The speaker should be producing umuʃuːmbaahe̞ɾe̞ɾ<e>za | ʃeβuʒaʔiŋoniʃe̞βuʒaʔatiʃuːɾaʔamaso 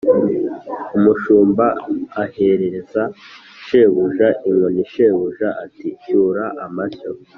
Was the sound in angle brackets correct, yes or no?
yes